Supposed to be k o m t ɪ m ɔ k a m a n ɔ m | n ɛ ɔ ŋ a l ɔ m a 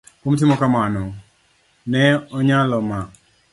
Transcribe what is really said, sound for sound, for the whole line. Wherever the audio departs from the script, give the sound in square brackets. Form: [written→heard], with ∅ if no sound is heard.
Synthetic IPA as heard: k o m t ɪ m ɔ k a m a n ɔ [m→∅] | n ɛ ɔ [ŋ→ɲ] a l ɔ m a